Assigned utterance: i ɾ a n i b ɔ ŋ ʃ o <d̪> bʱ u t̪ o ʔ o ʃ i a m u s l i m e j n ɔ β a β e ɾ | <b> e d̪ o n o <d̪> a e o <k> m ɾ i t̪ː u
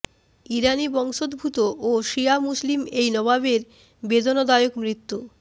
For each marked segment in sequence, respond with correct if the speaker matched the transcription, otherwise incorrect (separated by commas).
correct, correct, correct, correct